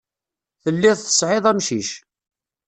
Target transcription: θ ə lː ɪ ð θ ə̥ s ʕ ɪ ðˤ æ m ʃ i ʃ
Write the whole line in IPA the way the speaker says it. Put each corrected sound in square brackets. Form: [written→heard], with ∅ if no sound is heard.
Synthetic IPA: θ ə lː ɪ ð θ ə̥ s ʕ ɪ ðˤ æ m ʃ i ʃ